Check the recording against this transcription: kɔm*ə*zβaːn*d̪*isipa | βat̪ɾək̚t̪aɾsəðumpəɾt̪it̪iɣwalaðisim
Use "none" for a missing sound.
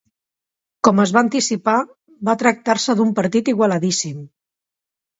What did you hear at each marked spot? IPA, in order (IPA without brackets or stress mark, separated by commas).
ə, t̪